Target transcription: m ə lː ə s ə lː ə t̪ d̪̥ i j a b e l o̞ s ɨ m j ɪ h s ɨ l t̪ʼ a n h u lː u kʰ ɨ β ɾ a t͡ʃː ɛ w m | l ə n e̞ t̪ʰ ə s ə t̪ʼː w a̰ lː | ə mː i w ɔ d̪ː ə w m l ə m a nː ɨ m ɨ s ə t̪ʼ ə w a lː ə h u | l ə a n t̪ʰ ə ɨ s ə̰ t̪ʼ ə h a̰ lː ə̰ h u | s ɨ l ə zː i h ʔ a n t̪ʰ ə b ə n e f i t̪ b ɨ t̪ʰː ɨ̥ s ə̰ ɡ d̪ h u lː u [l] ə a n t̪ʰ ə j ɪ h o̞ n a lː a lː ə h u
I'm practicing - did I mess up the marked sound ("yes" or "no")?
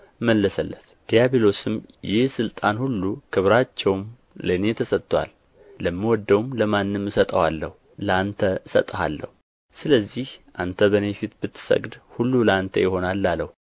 no